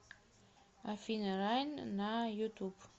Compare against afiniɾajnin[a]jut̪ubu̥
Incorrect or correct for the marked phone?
correct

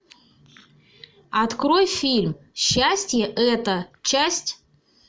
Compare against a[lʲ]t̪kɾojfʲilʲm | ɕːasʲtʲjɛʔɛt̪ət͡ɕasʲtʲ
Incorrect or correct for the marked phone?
incorrect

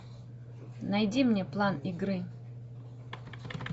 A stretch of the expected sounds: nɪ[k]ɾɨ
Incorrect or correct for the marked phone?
incorrect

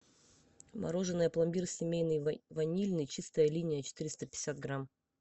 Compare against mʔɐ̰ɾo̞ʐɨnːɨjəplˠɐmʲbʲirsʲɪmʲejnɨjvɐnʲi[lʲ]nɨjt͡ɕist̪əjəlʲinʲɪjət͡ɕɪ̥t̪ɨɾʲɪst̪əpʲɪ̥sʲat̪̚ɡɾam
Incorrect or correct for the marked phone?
correct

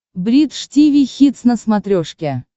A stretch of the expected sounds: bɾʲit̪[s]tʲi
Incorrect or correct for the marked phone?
incorrect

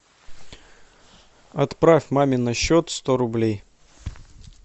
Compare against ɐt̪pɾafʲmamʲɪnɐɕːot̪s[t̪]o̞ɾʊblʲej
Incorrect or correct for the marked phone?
correct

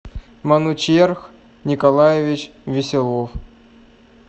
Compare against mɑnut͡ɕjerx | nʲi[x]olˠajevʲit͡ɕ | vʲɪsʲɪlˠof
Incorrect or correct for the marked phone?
incorrect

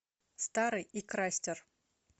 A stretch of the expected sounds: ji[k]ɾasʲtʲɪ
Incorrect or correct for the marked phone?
correct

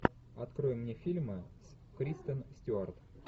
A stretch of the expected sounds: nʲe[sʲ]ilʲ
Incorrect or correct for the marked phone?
incorrect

